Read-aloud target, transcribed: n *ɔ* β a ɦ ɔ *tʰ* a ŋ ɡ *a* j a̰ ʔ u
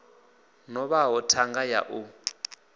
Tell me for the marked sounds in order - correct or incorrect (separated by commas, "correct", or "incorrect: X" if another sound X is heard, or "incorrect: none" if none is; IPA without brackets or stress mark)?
correct, correct, correct